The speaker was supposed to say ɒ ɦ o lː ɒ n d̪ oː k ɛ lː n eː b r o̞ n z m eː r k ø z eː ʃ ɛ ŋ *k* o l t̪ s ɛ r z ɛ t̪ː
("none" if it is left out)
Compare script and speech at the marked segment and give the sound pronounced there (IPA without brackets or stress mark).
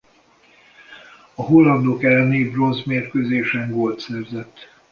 ɡ